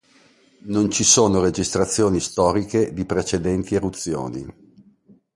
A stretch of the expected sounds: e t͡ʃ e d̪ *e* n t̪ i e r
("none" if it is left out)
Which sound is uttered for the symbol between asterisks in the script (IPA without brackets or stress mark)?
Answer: ɛ